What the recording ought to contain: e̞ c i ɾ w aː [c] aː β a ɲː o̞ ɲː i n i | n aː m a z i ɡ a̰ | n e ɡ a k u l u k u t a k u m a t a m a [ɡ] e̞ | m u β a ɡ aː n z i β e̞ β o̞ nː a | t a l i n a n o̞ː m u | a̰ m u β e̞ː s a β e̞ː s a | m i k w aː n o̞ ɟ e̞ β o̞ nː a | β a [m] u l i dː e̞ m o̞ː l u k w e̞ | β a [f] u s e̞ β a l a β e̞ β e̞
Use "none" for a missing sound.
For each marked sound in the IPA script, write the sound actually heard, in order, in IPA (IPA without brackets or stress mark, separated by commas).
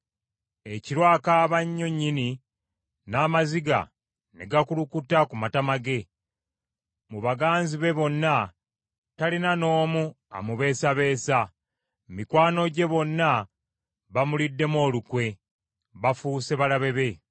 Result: k, ɡ, m, f